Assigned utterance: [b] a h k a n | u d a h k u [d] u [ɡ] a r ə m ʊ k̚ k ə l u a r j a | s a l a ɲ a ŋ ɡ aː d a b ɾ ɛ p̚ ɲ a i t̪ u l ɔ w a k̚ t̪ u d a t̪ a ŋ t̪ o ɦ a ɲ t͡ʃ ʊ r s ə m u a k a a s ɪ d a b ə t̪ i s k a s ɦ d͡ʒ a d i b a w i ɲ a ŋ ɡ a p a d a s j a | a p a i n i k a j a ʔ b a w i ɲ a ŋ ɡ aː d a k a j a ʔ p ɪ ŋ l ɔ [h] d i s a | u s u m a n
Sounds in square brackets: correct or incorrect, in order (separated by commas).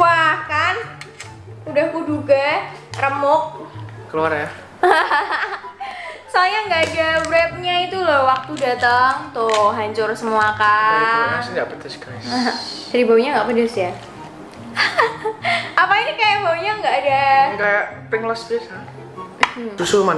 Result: incorrect, correct, correct, incorrect